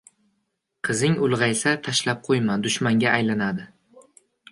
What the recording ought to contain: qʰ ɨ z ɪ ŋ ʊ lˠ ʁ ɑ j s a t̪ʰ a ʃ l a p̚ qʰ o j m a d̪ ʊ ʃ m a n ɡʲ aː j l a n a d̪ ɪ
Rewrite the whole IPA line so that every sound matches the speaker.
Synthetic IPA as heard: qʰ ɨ z ɪ ŋ ʊ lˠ ʁ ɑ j s a t̪ʰ a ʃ l a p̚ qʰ o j m a d̪ ʊ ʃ m a ŋ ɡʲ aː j l a n a d̪ ɪ